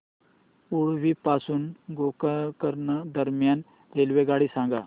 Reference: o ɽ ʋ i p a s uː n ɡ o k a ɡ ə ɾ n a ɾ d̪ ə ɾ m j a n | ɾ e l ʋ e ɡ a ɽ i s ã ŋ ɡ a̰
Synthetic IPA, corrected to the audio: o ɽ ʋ i p a s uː n ɡ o k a k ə ɾ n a d̪ ə ɾ m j a n | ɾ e l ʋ e ɡ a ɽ i s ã ŋ ɡ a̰